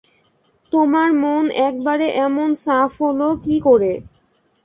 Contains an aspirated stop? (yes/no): no